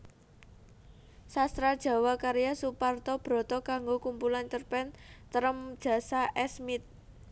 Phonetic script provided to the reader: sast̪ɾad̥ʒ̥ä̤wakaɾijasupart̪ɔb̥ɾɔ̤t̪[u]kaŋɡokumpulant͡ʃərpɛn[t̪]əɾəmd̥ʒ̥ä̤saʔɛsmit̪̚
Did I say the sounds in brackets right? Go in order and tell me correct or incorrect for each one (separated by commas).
incorrect, correct